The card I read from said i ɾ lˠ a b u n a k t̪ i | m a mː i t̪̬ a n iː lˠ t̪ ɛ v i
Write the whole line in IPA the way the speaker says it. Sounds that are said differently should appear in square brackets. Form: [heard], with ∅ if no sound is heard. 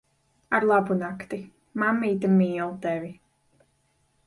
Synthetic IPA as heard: [a] ɾ lˠ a b u n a k t̪ i | m a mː [iː] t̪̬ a [m] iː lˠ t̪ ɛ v i